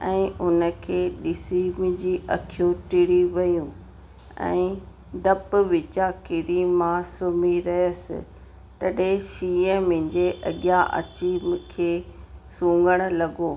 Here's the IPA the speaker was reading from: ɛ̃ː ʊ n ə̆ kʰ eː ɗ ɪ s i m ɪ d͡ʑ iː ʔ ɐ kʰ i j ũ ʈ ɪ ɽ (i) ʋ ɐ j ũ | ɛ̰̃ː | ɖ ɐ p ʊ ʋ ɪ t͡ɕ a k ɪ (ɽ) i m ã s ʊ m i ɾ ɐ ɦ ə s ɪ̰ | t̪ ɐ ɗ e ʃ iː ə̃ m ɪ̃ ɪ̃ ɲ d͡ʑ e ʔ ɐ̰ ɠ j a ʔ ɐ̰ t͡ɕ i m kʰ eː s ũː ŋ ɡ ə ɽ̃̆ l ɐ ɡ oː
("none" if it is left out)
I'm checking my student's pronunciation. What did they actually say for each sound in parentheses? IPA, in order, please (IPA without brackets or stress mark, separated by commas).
i, ɾ